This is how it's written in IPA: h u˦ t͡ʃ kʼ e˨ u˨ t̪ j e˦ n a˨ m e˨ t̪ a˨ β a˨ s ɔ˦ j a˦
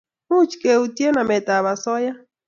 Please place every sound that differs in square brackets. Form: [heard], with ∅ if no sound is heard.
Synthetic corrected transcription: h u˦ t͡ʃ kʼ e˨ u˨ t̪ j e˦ n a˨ m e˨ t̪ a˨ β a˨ s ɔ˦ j a˦